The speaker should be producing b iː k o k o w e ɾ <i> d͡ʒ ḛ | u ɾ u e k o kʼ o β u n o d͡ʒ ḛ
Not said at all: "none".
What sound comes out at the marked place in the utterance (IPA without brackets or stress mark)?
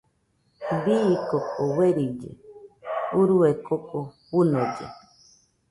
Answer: i